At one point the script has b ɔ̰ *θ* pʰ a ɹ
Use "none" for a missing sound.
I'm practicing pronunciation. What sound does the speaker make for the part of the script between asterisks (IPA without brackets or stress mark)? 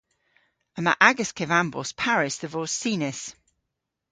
s